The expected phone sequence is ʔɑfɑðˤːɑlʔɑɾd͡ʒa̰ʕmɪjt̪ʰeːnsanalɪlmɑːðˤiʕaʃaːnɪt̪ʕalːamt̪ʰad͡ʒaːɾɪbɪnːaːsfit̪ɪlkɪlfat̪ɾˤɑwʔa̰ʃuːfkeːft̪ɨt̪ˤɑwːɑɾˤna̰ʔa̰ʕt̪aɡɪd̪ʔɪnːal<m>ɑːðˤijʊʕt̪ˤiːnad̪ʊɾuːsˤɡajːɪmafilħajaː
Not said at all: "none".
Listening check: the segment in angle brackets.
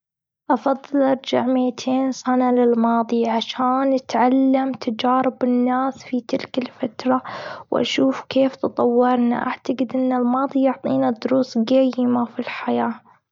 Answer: m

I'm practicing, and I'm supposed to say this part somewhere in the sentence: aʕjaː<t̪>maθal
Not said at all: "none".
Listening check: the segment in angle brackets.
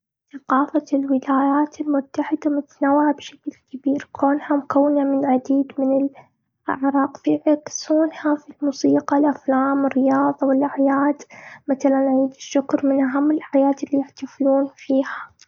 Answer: d̪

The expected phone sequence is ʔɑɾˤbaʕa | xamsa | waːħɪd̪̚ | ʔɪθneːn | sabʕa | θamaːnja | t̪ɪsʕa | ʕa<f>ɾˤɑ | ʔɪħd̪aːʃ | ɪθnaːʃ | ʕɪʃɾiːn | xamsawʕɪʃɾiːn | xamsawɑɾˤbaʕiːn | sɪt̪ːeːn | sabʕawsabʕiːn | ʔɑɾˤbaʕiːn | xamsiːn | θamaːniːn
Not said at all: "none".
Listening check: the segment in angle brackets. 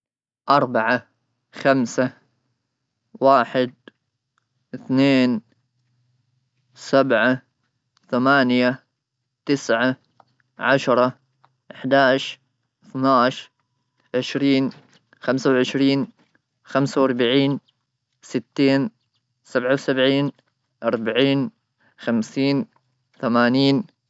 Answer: ʃ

